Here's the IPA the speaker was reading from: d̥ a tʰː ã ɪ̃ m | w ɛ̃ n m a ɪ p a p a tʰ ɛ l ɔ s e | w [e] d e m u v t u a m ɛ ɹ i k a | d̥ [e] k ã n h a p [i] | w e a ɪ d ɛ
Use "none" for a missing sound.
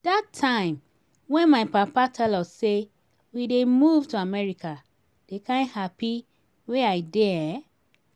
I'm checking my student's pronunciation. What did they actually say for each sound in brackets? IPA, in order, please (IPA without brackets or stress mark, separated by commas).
i, e, i